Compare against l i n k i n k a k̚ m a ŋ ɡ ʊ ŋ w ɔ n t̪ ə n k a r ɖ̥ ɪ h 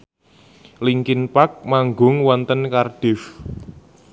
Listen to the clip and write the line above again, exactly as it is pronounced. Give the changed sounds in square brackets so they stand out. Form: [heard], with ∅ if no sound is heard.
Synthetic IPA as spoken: l i [ŋ] k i n [p] a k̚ m a ŋ ɡ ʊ ŋ w ɔ n t̪ ə n k a r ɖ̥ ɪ [f]